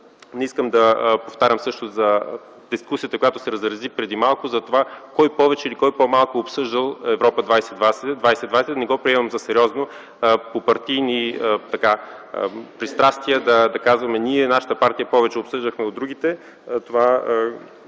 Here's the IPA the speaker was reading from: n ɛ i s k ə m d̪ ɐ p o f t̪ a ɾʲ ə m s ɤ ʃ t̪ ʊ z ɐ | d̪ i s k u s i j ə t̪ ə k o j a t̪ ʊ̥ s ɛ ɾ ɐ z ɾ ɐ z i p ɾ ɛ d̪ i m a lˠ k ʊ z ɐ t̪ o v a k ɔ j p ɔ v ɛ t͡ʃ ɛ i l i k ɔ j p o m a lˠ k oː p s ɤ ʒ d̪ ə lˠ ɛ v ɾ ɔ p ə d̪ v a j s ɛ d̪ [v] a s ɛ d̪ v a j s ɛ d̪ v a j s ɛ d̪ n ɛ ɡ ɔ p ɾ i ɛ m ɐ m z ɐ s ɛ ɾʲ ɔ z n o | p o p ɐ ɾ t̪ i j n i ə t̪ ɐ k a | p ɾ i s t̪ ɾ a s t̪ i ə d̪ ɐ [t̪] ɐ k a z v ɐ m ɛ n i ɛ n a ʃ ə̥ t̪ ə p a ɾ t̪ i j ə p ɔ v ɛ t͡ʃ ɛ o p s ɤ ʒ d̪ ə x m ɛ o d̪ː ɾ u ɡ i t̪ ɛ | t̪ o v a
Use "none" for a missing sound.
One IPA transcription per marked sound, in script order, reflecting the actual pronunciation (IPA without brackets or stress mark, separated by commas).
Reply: v, d̪